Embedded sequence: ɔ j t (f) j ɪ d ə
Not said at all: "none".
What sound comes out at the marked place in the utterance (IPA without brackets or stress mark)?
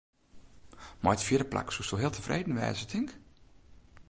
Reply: f